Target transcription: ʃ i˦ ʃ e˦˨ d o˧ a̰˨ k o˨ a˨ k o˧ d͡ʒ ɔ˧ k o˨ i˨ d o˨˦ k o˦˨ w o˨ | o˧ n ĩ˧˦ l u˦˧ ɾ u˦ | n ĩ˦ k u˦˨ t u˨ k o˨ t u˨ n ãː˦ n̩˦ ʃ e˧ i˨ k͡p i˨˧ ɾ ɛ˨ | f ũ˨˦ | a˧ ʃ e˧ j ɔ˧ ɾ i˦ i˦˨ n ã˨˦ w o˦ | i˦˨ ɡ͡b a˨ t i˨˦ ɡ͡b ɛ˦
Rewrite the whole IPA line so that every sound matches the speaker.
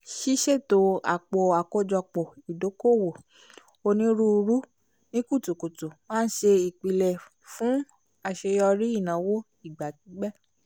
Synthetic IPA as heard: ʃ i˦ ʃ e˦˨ t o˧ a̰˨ k͡p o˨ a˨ k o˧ d͡ʒ ɔ˧ k͡p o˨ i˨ d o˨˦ k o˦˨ w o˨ | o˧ n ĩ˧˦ ɾ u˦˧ ɾ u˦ | n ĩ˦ k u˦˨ t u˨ k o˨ t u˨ m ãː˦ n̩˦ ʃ e˧ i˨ k͡p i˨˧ l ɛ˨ | f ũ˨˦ | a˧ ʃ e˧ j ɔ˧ ɾ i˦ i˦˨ n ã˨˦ w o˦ | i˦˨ ɡ͡b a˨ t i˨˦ ɡ͡b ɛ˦